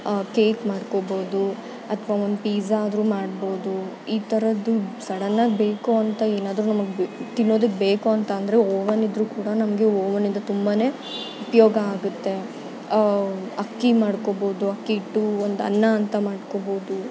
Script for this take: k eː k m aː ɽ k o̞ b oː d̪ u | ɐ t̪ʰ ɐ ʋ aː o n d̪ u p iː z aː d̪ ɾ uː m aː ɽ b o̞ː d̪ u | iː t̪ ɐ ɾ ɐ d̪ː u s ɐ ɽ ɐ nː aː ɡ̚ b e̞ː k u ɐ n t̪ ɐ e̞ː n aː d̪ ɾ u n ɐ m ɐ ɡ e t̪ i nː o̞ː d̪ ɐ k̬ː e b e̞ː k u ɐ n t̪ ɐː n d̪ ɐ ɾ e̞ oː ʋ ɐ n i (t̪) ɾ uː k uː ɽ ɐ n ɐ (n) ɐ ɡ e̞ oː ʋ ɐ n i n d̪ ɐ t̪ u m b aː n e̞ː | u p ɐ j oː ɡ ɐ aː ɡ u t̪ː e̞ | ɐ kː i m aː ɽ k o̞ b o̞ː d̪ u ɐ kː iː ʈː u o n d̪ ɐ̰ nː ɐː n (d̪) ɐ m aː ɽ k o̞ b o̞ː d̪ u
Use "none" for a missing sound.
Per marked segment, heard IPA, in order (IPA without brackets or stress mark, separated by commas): d̪, m, t̪